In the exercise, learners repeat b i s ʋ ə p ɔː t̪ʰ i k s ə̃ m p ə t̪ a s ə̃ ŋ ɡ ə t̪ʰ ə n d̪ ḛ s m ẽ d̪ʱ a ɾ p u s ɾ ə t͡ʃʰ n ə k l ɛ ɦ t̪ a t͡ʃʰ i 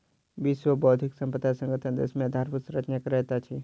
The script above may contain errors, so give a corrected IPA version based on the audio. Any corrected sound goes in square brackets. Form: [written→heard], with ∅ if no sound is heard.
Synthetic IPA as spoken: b i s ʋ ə [p→b] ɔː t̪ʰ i k s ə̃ m p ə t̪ a s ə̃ ŋ ɡ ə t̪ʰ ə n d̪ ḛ s m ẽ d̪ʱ a ɾ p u s ɾ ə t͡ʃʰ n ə k [l→ɾ] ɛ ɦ t̪ a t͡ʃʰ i